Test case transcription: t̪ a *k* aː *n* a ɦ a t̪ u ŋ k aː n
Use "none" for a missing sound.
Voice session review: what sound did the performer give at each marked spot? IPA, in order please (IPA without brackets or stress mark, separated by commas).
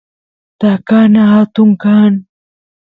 k, n